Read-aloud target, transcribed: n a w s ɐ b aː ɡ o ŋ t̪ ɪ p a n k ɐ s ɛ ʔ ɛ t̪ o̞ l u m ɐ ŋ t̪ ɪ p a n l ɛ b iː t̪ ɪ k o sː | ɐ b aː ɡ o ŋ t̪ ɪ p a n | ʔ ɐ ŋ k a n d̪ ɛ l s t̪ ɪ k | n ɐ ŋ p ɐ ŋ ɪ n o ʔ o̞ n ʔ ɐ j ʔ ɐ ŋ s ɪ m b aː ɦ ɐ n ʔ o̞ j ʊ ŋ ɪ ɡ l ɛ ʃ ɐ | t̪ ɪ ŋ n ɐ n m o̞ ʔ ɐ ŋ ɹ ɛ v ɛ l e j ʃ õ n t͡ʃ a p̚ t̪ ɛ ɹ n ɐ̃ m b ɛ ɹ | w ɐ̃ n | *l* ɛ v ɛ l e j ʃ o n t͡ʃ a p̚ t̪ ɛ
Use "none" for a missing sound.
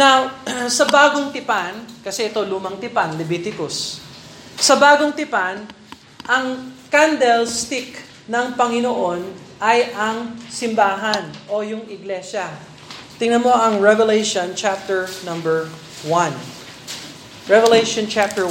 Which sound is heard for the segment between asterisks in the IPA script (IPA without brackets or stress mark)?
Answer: ɹ